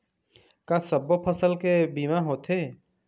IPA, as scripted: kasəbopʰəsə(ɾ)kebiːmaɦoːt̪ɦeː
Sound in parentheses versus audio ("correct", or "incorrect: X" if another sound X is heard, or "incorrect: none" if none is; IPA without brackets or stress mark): incorrect: l